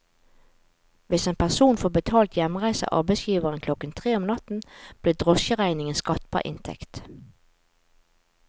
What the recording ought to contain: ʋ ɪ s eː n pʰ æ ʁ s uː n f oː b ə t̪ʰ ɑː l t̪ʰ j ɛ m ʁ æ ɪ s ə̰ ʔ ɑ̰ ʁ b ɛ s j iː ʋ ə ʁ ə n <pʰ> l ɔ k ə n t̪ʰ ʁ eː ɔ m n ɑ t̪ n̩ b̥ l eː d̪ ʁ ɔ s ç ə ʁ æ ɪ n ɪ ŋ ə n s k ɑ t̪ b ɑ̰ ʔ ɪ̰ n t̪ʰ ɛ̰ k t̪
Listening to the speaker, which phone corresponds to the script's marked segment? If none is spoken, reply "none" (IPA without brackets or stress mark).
kʰ